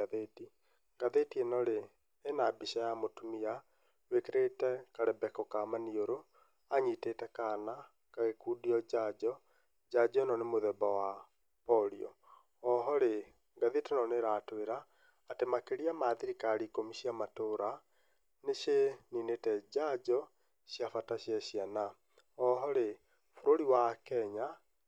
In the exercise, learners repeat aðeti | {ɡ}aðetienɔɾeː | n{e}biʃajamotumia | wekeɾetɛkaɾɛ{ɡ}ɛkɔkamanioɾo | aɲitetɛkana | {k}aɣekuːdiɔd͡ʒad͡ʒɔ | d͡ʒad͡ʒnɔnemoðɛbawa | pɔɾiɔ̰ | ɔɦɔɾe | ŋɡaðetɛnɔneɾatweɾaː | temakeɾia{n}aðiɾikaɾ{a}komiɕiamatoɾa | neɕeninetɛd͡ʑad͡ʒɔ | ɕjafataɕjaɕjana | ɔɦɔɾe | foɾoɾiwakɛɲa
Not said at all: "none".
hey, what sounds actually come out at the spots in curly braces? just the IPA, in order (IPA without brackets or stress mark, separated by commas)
ɡ, a, b, k, m, i